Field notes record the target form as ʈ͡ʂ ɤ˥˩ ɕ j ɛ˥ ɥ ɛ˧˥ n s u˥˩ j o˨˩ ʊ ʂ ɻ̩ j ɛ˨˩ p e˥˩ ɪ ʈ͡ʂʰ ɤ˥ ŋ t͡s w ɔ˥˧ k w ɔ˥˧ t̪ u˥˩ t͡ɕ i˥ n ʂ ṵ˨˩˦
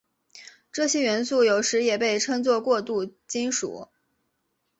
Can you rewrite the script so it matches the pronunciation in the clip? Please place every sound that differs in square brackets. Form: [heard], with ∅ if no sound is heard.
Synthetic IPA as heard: ʈ͡ʂ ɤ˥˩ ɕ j ɛ˥ ɥ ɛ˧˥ n s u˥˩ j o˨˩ ʊ ʂ ɻ̩ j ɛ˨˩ p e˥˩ ɪ ʈ͡ʂʰ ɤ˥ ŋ t͡s w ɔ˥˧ k w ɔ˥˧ t̪ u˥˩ t͡ɕ i˥ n ʂ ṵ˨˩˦